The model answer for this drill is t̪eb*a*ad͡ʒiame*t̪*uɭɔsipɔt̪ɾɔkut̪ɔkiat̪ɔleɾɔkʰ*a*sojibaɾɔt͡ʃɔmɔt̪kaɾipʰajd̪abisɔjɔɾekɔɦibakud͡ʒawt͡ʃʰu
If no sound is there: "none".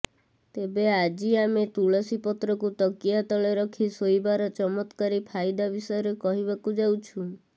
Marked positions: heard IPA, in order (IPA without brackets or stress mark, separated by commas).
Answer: e, t̪, i